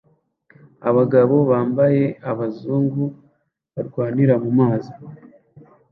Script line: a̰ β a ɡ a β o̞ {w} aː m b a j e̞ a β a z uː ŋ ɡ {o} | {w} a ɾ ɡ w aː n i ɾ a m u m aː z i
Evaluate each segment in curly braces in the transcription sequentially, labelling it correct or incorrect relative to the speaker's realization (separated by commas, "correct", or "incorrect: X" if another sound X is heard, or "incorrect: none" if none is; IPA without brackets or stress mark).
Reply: incorrect: β, incorrect: u, incorrect: β